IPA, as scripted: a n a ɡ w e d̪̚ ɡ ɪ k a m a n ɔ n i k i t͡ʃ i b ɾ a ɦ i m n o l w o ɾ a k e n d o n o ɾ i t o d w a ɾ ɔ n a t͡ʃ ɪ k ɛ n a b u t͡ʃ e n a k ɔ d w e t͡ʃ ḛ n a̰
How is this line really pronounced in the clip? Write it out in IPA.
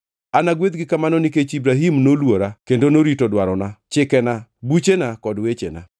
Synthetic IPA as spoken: a n a ɡ w e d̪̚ ɡ ɪ k a m a n ɔ n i k e t͡ʃ i b ɾ a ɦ i m n o l w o ɾ a k e n d o n o ɾ i t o d w a ɾ ɔ n a t͡ʃ ɪ k ɛ n a b u t͡ʃ e n a k ɔ d w e t͡ʃ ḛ n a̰